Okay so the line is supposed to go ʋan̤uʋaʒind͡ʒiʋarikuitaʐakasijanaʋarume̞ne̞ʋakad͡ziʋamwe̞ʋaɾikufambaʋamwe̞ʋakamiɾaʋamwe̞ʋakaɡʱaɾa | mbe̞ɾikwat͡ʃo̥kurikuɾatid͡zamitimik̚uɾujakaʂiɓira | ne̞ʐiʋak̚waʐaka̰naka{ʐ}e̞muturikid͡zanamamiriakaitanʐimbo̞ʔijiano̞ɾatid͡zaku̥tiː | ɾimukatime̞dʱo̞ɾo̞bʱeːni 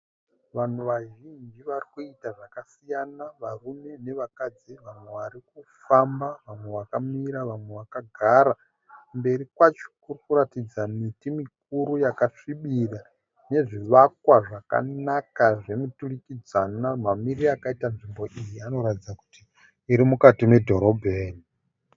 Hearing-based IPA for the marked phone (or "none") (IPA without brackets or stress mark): ʐ